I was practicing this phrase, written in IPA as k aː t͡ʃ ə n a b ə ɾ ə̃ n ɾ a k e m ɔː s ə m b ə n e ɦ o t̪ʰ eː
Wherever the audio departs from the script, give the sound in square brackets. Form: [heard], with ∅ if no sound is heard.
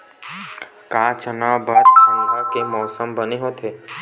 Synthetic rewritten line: k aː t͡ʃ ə n a b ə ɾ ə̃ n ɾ a k e m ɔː s ə m b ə n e ɦ o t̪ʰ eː